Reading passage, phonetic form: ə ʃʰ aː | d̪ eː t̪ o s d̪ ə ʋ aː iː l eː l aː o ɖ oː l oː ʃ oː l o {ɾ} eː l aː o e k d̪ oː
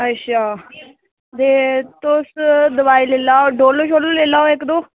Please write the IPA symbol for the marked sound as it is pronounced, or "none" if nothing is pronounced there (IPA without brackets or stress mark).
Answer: l